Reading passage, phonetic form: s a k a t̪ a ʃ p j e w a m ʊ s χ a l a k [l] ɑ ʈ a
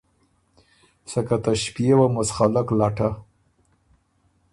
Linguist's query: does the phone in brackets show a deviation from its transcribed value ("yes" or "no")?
no